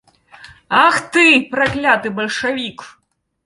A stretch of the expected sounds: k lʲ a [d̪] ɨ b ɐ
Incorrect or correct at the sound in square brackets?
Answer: incorrect: t̪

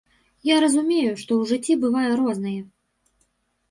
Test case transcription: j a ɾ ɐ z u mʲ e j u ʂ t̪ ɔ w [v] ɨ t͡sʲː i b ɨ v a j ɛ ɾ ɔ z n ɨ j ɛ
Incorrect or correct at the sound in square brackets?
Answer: incorrect: ʐ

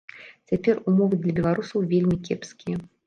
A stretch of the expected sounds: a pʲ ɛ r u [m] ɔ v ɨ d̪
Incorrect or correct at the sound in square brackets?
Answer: correct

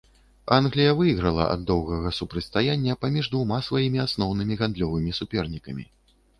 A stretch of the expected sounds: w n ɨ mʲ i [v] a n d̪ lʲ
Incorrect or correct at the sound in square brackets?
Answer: incorrect: ɣ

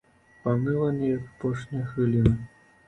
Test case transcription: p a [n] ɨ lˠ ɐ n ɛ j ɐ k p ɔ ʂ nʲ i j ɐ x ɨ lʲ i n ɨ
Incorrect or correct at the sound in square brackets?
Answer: incorrect: m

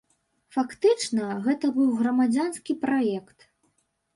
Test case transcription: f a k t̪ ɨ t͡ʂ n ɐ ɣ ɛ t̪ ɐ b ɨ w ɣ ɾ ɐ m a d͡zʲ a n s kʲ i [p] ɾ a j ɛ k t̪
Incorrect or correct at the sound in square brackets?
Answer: correct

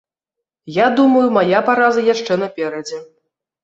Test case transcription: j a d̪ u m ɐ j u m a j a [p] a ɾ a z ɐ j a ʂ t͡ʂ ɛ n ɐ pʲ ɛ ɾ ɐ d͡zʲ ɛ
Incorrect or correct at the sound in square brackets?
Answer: correct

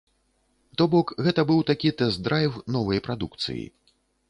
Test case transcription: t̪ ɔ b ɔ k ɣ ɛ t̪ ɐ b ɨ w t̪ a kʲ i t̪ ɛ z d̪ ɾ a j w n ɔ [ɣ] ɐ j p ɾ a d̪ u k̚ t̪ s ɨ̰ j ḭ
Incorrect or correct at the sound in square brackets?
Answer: incorrect: v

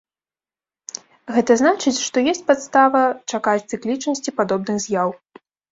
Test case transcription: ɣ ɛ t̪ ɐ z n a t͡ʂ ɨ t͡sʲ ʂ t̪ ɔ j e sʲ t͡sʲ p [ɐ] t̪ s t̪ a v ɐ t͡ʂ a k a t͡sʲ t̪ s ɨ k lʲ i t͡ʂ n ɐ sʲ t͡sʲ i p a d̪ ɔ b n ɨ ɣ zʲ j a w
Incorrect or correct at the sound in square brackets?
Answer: incorrect: a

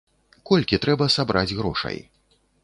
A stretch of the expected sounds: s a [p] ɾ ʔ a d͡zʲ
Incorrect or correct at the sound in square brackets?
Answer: incorrect: b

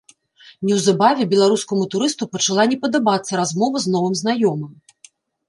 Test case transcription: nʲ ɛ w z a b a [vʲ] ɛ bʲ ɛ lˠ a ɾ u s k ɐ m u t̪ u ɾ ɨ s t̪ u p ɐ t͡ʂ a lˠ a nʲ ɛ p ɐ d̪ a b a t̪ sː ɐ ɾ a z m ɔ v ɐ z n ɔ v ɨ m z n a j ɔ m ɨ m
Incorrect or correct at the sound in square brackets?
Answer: correct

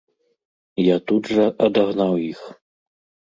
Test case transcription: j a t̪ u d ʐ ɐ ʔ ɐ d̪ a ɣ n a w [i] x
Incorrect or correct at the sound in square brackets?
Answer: correct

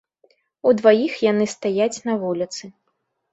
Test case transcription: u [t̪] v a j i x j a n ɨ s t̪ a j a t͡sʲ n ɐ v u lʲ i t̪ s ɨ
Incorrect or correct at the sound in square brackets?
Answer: incorrect: d̪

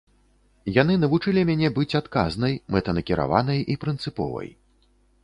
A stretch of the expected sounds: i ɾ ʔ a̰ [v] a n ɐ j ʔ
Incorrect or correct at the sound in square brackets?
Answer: correct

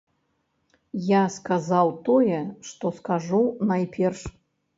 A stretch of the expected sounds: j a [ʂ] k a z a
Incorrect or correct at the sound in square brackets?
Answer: incorrect: s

